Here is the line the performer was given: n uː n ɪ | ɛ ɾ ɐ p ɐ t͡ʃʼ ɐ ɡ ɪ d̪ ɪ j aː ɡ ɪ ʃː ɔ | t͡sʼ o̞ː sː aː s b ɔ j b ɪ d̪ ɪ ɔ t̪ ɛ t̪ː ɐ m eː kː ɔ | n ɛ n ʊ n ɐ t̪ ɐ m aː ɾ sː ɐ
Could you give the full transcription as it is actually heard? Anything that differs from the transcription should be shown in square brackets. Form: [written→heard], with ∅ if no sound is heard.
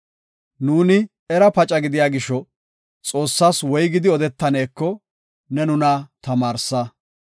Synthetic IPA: n uː n ɪ | ɛ ɾ ɐ p ɐ t͡ʃʼ ɐ ɡ ɪ d̪ ɪ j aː ɡ ɪ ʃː ɔ | t͡sʼ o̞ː sː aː s [b→w] ɔ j [b→ɡ] ɪ d̪ ɪ ɔ [t̪→d̪] ɛ t̪ː ɐ [m→n] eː kː ɔ | n ɛ n ʊ n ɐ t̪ ɐ m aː ɾ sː ɐ